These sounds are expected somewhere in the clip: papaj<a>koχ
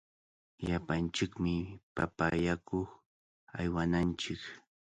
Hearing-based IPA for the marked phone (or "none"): a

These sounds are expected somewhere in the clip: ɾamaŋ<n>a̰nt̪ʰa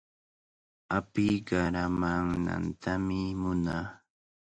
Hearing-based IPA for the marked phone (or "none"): n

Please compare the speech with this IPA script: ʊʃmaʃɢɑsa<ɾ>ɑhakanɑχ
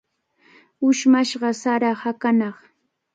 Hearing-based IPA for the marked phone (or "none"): ɾ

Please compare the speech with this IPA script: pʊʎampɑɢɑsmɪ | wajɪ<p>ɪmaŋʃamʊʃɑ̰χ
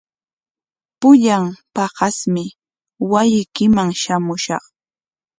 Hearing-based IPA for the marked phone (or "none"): k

